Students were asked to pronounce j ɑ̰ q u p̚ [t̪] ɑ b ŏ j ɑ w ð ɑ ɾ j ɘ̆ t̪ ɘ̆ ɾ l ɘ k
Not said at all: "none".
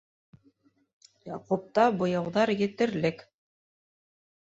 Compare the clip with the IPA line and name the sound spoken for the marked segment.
t̪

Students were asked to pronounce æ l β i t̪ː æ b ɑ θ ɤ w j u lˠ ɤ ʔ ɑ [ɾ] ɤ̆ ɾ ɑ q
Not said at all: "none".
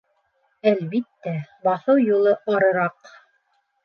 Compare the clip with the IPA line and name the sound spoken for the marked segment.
ɾ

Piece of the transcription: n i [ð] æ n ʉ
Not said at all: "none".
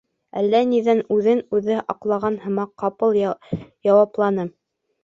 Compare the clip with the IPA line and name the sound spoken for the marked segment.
ð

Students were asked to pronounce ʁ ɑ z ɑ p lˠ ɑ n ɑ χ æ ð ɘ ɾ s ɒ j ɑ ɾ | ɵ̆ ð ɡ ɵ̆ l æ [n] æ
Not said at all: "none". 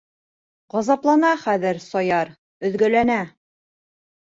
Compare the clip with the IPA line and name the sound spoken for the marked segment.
n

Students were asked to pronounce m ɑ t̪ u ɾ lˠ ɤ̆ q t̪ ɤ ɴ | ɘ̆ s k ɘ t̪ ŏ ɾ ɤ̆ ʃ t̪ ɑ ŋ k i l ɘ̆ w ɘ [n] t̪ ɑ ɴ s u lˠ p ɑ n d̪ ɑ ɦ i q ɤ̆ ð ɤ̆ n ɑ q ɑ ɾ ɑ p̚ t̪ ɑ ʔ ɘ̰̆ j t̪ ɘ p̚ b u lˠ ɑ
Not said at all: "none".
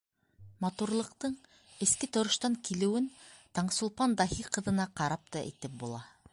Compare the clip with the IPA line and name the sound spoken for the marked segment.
n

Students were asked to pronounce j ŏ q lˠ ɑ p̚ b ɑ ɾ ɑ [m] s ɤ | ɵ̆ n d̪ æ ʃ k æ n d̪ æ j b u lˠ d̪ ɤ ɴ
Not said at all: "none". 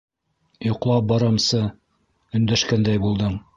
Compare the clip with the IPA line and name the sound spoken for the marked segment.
m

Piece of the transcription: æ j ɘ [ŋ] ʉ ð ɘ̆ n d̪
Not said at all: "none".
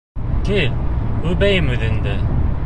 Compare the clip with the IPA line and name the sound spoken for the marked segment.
m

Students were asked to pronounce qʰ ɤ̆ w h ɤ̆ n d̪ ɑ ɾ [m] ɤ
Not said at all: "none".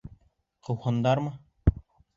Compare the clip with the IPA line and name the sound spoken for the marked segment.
m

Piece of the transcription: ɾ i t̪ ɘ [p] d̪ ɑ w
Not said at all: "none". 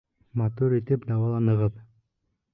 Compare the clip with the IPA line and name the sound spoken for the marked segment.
p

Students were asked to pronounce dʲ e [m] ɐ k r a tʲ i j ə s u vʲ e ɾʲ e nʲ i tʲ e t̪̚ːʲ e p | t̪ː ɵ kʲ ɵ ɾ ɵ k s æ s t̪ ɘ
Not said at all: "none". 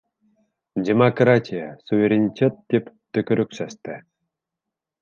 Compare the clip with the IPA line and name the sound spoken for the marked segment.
m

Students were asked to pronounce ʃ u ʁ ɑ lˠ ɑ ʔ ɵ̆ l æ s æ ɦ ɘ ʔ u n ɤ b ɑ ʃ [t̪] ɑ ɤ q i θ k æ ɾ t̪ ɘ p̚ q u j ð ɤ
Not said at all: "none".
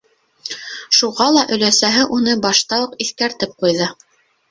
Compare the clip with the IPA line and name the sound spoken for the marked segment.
t̪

